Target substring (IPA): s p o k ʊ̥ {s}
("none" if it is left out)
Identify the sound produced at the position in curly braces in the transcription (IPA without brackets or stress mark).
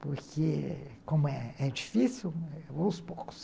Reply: s